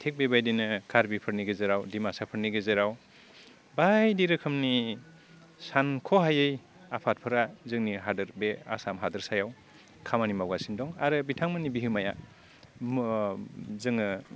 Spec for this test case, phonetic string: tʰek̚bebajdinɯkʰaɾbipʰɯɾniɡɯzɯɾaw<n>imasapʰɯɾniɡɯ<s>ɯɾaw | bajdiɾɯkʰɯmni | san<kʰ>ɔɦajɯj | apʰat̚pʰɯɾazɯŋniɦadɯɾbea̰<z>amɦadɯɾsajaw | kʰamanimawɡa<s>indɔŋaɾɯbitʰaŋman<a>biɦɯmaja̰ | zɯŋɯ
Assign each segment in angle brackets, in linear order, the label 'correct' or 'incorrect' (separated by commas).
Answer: incorrect, incorrect, correct, incorrect, correct, incorrect